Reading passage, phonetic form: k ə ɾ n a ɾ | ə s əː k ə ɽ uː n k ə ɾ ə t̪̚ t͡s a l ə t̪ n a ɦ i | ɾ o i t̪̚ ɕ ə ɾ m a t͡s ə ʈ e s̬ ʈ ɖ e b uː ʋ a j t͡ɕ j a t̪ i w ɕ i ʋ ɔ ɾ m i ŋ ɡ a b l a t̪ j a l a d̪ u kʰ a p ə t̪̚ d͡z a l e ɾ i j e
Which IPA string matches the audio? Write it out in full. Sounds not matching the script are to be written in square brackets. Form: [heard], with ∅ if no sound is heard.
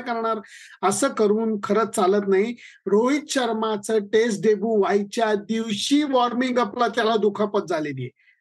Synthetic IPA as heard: k ə ɾ [ɳ] a ɾ | ə s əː k ə [ɾ] uː n [kʰ] ə ɾ ə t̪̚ t͡s a l ə t̪ n a ɦ i | ɾ o i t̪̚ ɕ ə ɾ m a t͡s ə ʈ e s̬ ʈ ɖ e b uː ʋ a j t͡ɕ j a [d̪] i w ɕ i ʋ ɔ ɾ m i ŋ ɡ a [p] l a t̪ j a l a d̪ u kʰ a p ə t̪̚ d͡z a l e [l] i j e